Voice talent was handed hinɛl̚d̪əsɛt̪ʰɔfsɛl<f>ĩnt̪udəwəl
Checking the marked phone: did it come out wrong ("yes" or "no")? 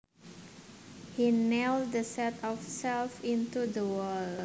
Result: no